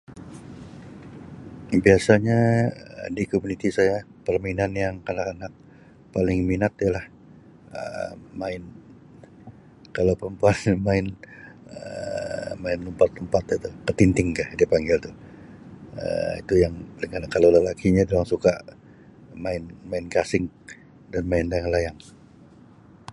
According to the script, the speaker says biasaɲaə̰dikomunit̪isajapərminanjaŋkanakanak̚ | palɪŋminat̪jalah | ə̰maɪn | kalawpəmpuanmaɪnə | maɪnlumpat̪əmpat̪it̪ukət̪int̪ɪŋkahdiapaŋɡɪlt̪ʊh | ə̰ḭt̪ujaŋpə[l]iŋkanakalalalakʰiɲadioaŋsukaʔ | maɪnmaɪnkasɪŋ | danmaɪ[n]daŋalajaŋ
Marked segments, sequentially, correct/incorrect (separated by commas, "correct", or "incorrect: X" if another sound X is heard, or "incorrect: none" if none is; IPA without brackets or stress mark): correct, correct